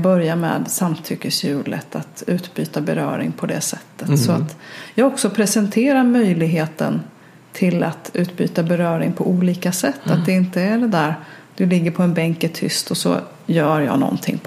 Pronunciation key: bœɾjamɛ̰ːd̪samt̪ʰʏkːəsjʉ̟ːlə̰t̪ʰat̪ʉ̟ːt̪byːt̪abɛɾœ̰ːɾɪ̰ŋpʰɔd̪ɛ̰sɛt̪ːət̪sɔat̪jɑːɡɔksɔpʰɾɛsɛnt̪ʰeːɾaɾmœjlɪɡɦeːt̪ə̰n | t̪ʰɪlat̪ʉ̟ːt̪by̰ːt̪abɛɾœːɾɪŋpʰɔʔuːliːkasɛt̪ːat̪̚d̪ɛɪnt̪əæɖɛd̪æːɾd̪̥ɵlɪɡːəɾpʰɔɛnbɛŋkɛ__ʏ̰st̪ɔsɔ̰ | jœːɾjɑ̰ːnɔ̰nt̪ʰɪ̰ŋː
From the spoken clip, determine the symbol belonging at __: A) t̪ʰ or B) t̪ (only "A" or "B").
A